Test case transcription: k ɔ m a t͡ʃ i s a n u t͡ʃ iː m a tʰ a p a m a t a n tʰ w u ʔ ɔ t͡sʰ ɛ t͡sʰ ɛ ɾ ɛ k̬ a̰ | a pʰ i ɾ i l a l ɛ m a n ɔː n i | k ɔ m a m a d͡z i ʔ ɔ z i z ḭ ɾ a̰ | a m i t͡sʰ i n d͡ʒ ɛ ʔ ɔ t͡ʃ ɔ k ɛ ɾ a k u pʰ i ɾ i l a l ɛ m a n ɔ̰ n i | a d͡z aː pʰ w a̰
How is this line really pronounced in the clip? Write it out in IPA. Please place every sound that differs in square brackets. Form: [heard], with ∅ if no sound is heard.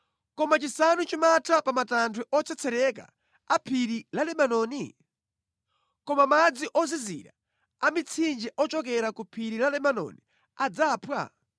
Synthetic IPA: k ɔ m a t͡ʃ i s a n u t͡ʃ [i] m a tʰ a p a m a t a n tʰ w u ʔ ɔ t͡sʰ ɛ t͡sʰ ɛ ɾ ɛ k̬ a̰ | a pʰ i ɾ i l a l ɛ m a n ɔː n i | k ɔ m a m a d͡z i ʔ ɔ z i z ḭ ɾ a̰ | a m i t͡sʰ i n d͡ʒ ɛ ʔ ɔ t͡ʃ ɔ k ɛ ɾ a k u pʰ i ɾ i l a l ɛ m a n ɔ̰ n i | a d͡z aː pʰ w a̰

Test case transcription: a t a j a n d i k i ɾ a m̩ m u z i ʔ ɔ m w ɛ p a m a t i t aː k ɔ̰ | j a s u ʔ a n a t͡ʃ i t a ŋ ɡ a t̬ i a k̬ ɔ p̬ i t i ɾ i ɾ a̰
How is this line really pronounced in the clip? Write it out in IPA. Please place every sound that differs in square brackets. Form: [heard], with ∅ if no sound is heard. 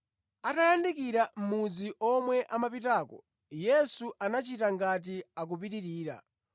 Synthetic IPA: a t a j a n d i k i ɾ a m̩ m u [d͡z] i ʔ ɔ m w ɛ [ʔ] a m a [p] i t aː k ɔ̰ | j [ɛ] s u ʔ a n a t͡ʃ i t a ŋ ɡ a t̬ i a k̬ [u] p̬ i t i ɾ [iː] ɾ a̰

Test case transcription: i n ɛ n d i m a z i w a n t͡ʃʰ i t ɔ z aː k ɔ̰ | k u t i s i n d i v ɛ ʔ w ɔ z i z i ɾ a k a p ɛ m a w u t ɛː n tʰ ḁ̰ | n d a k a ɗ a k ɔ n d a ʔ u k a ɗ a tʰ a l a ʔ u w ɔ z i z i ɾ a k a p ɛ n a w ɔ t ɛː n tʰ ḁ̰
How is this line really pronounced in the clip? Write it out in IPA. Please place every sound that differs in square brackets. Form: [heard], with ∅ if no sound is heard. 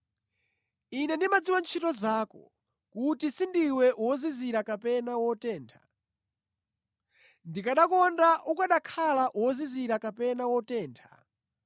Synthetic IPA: i n ɛ n d i m a [d͡z] i w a n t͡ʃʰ i t ɔ z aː k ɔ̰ | k u t i s i n d i [w] ɛ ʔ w ɔ z i z i ɾ a k a p ɛ [n] a w [ɔ] t ɛː n tʰ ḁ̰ | n d [i] k a ɗ a k ɔ n d a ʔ u k a ɗ a [kʰ] a l a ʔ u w ɔ z i z i ɾ a k a p ɛ n a w ɔ t ɛː n tʰ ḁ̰

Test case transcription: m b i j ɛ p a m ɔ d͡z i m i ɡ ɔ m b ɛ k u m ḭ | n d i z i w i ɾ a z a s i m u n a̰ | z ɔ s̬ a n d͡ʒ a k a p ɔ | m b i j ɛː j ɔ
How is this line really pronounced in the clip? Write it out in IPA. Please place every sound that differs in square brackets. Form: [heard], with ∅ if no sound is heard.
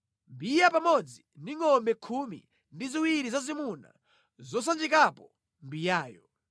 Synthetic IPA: m b i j [a] p a m ɔ d͡z i [n] i [ŋ] ɔ m b ɛ [kʰ] u m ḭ | n d i z i w i ɾ [i] z a [z] i m u n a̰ | z ɔ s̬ a n d͡ʒ [i] k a p ɔ | m b i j [aː] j ɔ

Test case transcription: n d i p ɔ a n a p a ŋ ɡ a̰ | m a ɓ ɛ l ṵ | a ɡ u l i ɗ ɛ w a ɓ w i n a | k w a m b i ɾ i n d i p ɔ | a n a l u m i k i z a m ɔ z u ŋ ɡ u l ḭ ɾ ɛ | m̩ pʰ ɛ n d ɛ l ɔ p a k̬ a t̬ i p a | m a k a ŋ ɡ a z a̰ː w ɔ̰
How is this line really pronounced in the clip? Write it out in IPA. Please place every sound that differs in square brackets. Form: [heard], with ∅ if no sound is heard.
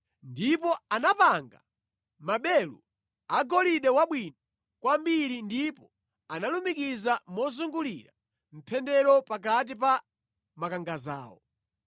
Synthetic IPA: n d i p ɔ a n a p a ŋ ɡ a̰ | m a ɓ ɛ l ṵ | a ɡ [ɔ] l i ɗ ɛ w a ɓ w i n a | k w a m b i ɾ i n d i p ɔ | a n a l u m i k i z a m ɔ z u ŋ ɡ u l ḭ ɾ [a] | m̩ pʰ ɛ n d ɛ [ɾ] ɔ p a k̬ a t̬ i p a | m a k a ŋ ɡ a z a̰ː w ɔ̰

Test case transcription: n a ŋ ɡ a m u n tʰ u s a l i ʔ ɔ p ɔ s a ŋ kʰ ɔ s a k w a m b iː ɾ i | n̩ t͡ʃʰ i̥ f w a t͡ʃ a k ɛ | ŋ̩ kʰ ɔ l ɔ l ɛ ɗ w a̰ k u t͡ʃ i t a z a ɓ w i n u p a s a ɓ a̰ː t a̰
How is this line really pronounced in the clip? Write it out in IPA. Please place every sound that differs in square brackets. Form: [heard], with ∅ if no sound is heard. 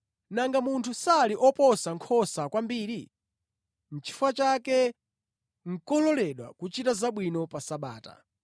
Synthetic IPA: n a ŋ ɡ a m u n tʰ u s a l i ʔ ɔ p ɔ s a ŋ kʰ ɔ s a k w a m b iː ɾ i | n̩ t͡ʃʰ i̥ f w a t͡ʃ a k ɛ | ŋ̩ [k] ɔ l ɔ l ɛ ɗ w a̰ k u t͡ʃ i t a z a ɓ w i n [ɔ] p a s a ɓ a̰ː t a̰

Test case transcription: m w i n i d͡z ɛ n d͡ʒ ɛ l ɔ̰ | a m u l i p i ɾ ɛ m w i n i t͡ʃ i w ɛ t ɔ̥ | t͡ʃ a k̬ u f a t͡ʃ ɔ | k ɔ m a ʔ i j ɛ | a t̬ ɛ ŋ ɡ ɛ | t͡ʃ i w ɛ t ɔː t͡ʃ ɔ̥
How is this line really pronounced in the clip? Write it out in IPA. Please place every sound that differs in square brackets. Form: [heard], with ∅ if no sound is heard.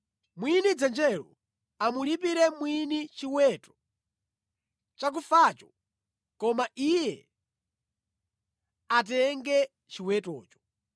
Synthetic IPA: m w i n i d͡z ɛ n d͡ʒ ɛ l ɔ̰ | a m u l i p i ɾ ɛ m w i n i t͡ʃ i w ɛ t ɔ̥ | t͡ʃ a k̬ u f a t͡ʃ ɔ | k ɔ m a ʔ i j ɛ | a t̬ ɛ ŋ ɡ ɛ | t͡ʃ i w ɛ t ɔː t͡ʃ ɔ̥

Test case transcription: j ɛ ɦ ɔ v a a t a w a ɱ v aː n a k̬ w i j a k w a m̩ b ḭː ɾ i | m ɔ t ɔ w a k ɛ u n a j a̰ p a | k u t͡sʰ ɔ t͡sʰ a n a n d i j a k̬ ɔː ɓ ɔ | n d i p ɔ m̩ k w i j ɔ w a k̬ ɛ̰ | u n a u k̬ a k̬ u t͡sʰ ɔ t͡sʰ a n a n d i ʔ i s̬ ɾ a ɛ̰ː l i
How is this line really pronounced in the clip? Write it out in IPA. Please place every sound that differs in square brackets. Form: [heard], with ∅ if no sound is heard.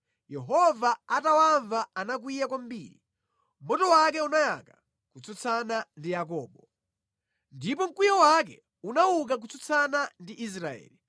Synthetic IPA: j ɛ ɦ ɔ v a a t a w a ɱ v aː n a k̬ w i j a k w a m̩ b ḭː ɾ i | m ɔ t ɔ w a k ɛ u n a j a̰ [k] a | k u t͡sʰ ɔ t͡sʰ a n a n d i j a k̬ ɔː ɓ ɔ | n d i p ɔ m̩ k w i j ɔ w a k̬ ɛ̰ | u n a u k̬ a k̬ u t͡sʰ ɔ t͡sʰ a n a n d i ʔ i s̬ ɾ a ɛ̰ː l i

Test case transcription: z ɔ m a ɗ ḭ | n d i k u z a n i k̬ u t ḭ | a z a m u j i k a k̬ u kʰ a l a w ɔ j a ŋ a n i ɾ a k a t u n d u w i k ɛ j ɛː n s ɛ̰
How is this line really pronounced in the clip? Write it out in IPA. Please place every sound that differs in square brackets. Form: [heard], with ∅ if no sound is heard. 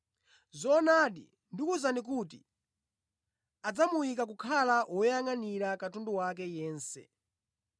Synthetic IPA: z ɔ [n] a ɗ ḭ | n d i k u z a n i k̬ u t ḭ | a [d͡z] a m u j i k a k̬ u kʰ a l a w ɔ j a ŋ a n i ɾ a k a t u n d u w [a] k ɛ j ɛː n s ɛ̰

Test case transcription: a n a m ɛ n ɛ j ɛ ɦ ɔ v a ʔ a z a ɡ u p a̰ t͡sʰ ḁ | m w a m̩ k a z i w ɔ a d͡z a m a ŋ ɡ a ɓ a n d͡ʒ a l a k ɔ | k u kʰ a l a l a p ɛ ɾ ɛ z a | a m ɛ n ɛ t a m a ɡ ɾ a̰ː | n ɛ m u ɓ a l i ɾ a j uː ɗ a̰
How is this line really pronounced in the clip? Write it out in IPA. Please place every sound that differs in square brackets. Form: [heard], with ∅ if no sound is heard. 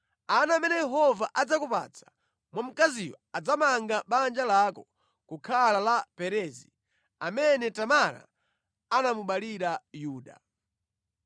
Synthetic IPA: a n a m ɛ n ɛ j ɛ ɦ ɔ v a ʔ a [d͡z] a [k] u p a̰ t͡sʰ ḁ | m w a m̩ k a z i w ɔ a d͡z a m a ŋ ɡ a ɓ a n d͡ʒ a l a k ɔ | k u kʰ a l a l a p ɛ ɾ ɛ z [i] | a m ɛ n ɛ t a m a [∅] ɾ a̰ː | n [a] m u ɓ a l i ɾ a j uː ɗ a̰

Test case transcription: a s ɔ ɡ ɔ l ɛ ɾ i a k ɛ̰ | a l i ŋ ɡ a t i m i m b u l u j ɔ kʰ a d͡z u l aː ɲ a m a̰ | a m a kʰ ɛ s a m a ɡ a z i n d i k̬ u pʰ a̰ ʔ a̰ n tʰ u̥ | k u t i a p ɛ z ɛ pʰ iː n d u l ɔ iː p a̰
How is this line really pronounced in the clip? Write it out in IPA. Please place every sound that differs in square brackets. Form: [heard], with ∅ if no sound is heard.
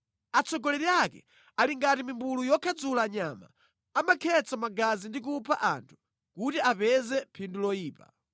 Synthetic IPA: a [t͡s] ɔ ɡ ɔ l ɛ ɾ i a k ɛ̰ | a l i ŋ ɡ a t i m i m b u l u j ɔ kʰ a d͡z u l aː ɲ a m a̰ | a m a kʰ ɛ [t͡s] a m a ɡ a z i n d i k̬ u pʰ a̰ ʔ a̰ n tʰ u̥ | k u t i a p ɛ z ɛ pʰ [i] n d u l ɔ iː p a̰

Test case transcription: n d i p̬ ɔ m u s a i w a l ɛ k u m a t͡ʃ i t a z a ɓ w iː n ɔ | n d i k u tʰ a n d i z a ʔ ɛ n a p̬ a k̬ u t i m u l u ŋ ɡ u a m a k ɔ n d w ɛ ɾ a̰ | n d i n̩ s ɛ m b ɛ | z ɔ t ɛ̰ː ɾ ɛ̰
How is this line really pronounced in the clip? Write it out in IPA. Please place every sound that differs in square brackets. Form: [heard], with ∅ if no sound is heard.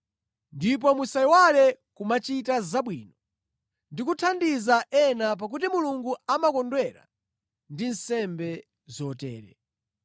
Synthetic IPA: n d i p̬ ɔ m u s a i w a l ɛ k u m a t͡ʃ i t a z a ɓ w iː n ɔ | n d i k u tʰ a n d i z a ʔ ɛ n a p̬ a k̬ u t i m u l u ŋ ɡ u a m a k ɔ n d w ɛ ɾ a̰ | n d i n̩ s ɛ m b ɛ | z ɔ t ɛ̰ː ɾ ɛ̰

